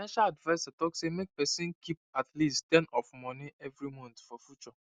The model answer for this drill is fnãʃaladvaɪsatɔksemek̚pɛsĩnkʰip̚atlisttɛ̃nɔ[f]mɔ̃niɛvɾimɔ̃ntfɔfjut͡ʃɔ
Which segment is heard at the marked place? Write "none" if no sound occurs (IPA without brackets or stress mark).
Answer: f